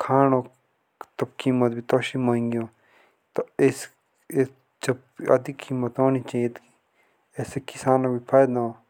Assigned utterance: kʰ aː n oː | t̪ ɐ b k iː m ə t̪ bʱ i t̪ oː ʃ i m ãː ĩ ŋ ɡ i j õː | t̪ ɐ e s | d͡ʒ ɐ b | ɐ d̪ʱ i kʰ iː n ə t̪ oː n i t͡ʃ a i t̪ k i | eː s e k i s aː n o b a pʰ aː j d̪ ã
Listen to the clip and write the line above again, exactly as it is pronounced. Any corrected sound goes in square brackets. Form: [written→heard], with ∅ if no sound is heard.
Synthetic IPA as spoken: kʰ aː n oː | t̪ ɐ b k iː m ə t̪ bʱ i t̪ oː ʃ i m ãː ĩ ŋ ɡ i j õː | t̪ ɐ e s | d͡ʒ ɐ b | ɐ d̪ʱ i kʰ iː [n→m] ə t̪ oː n i t͡ʃ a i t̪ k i | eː s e k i s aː n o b [a→i] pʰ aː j d̪ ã

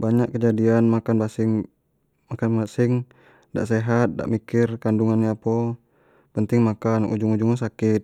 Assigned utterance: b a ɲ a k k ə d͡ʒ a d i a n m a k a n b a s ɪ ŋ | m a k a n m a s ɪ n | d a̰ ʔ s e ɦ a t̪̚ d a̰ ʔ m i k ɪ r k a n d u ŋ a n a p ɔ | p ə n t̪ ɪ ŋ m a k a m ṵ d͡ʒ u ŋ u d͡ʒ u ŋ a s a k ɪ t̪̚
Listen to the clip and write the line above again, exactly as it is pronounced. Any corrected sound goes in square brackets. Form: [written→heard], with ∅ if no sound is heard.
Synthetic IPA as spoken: b a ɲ a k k ə d͡ʒ a d i a n m a k a n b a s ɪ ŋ | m a k a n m a s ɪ [n→ŋ] | d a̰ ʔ s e ɦ a t̪̚ d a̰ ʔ m i k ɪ r k a n d u ŋ a n a p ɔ | p ə n t̪ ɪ ŋ m a k a [m→n] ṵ d͡ʒ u ŋ u d͡ʒ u ŋ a s a k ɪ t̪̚

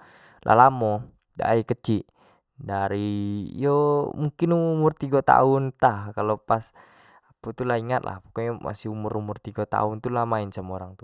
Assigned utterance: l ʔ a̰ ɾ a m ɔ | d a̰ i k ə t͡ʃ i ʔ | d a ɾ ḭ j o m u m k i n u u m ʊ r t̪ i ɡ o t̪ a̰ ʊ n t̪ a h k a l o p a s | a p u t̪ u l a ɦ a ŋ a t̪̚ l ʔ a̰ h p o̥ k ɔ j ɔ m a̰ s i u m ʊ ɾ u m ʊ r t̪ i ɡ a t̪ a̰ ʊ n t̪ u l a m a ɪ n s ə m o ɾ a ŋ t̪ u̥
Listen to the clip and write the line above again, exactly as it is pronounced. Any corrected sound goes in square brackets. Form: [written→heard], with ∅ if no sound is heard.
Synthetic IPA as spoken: l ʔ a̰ [ɾ→l] a m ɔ | d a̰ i k ə t͡ʃ i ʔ | d a ɾ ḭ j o m u [m→ŋ] k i n u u m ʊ r t̪ i ɡ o t̪ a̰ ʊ n t̪ a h k a l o p a s | a p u t̪ u l a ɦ [a→i] ŋ a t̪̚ l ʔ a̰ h p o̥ k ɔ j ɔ m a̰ s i u m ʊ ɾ u m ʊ r t̪ i ɡ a t̪ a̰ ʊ n t̪ u l a m a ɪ n s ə m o ɾ a ŋ t̪ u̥

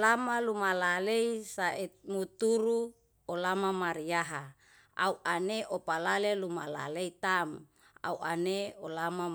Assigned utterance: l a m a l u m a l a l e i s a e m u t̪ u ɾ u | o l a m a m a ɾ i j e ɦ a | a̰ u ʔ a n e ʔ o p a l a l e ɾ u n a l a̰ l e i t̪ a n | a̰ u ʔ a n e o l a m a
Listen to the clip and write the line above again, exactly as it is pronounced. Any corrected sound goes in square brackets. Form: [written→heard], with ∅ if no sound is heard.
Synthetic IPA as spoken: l a m a l u m a l a l e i s a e m u t̪ u ɾ u | o l a m a m a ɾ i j [e→a] ɦ a | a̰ u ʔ a n e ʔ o p a l a l e [ɾ→l] u [n→m] a l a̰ l e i t̪ a [n→m] | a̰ u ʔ a n e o l a m a

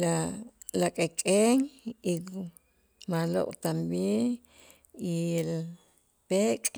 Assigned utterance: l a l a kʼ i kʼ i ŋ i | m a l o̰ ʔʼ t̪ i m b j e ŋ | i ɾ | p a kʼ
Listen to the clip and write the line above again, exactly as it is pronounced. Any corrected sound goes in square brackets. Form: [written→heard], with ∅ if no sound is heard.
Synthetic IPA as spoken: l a l a kʼ [i→e] kʼ [i→e] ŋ i | m a l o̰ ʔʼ t̪ [i→a] m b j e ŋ | i [ɾ→l] | p [a→e] kʼ

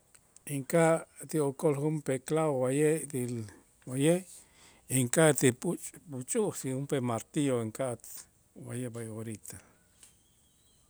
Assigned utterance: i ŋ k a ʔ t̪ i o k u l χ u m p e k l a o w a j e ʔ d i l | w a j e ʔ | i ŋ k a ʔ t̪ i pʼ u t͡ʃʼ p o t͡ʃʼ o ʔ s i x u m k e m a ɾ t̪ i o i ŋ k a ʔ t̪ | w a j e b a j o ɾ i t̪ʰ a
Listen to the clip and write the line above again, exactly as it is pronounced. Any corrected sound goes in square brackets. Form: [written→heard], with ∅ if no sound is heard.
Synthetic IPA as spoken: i ŋ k a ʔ t̪ i o k [u→o] l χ u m p e k l a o w a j e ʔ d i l | w a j e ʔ | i ŋ k a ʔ t̪ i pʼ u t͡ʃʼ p [o→u] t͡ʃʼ [o→u] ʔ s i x u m [k→p] e m a ɾ t̪ i o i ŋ k a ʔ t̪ | w a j e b a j o ɾ i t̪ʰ a

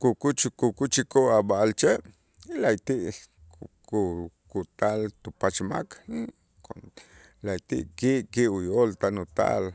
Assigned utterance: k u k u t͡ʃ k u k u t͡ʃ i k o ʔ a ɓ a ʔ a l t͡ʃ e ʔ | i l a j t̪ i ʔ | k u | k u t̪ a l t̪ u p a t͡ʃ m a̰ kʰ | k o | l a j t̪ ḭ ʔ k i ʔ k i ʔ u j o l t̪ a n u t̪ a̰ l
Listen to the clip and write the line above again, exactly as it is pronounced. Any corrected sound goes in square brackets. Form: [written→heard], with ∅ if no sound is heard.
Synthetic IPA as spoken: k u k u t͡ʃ k u k u t͡ʃ i k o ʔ a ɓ a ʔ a l t͡ʃ e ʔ | i l a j t̪ i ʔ | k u | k u t̪ a l t̪ u p a t͡ʃ m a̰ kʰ | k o | l a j t̪ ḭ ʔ k i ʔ k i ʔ u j o l t̪ a n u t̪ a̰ l

